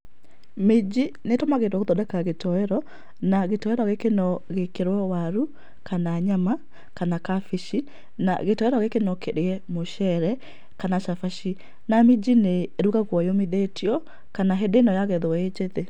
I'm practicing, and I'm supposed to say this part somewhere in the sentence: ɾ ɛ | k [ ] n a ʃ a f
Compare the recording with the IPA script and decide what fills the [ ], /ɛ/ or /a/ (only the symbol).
a